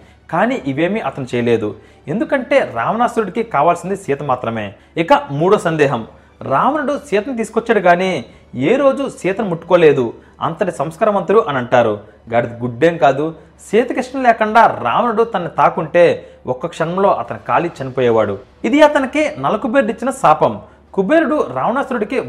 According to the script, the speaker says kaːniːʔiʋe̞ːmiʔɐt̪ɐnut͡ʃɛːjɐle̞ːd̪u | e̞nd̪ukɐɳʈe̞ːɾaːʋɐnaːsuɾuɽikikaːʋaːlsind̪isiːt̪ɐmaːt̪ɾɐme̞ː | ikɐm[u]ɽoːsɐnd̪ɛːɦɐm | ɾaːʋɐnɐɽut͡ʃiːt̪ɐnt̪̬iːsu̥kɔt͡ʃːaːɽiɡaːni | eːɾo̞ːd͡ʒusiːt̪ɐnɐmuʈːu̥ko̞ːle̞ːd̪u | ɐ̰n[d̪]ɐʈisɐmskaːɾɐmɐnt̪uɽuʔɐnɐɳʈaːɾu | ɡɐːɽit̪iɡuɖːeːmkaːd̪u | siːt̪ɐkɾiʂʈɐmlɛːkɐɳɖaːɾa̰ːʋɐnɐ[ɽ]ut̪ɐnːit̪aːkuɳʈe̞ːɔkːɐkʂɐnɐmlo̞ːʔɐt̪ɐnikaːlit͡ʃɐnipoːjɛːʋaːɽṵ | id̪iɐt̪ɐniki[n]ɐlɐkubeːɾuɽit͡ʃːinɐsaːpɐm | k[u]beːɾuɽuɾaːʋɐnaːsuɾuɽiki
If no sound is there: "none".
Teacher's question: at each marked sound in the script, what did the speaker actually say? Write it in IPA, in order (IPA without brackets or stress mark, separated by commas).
uː, t̪, ɽ, n, u